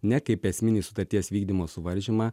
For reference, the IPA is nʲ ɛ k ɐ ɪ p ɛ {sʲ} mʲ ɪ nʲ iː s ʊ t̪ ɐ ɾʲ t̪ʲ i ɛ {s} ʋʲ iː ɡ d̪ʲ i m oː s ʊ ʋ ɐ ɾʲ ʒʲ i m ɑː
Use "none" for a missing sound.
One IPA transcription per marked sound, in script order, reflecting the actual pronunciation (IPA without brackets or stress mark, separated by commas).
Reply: sʲ, s